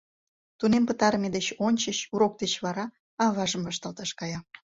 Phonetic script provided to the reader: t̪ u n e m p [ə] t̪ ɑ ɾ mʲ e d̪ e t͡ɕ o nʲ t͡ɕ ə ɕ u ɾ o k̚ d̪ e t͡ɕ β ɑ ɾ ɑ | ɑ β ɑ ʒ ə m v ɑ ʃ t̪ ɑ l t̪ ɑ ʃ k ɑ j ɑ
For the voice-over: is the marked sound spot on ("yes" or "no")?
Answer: yes